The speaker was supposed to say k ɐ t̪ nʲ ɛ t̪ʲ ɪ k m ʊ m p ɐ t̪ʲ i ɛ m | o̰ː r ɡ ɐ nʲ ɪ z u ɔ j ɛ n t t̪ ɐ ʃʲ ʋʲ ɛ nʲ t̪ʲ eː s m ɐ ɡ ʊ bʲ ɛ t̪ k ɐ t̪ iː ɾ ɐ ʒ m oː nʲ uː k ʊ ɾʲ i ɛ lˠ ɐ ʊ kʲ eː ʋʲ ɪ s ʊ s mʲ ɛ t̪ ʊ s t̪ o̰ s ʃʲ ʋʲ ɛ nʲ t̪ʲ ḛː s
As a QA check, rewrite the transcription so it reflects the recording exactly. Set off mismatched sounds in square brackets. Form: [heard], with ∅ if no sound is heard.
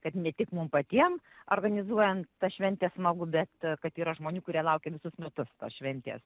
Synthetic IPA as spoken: k ɐ t̪ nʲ ɛ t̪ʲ ɪ k m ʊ m p ɐ t̪ʲ i ɛ m | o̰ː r ɡ ɐ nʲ ɪ z u ɔ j ɛ n t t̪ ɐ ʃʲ ʋʲ ɛ nʲ t̪ʲ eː s m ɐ ɡ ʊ bʲ ɛ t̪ k ɐ t̪ iː ɾ ɐ ʒ m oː nʲ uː k ʊ ɾʲ i ɛ lˠ ɐ ʊ kʲ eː ʋʲ ɪ s ʊ s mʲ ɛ t̪ ʊ s t̪ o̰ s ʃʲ ʋʲ ɛ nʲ t̪ʲ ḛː s